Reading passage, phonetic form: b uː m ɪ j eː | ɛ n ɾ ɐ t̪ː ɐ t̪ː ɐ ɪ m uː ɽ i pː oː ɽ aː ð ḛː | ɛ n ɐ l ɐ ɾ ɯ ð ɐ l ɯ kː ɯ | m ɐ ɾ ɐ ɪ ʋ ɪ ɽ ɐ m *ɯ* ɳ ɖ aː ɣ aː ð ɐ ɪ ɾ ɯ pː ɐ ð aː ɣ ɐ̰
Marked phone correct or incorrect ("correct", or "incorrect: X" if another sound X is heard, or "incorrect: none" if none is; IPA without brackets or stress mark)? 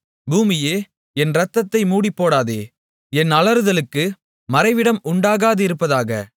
incorrect: ʊ